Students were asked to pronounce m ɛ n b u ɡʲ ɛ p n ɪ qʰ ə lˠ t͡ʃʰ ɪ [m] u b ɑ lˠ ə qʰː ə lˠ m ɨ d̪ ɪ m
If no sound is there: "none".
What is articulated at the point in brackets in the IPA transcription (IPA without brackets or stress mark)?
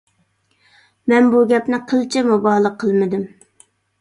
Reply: m